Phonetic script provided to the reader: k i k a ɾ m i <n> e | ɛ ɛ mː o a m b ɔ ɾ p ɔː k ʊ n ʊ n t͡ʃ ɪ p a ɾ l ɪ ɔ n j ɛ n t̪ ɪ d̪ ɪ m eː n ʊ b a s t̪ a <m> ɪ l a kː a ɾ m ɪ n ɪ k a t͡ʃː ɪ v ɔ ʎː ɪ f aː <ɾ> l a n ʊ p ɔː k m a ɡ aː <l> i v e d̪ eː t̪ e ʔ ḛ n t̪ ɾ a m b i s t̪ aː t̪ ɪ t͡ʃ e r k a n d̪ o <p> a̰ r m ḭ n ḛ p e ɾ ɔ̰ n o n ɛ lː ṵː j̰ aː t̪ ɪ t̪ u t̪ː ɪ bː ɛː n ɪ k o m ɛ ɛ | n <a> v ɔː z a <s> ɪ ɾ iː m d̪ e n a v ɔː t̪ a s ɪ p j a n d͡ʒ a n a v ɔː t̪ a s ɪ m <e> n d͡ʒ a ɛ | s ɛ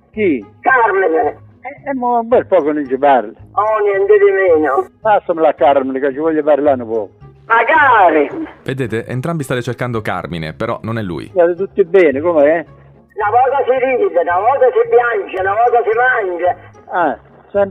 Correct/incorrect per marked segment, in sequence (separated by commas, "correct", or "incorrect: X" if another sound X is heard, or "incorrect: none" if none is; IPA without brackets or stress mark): correct, correct, correct, incorrect: ɾ, incorrect: k, correct, correct, incorrect: a